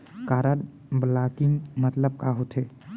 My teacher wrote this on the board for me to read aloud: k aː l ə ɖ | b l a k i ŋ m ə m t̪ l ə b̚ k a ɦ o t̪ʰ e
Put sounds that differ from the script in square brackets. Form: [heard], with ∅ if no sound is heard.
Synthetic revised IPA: k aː [ɾ] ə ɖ | b l a k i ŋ m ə [∅] t̪ l ə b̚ k a ɦ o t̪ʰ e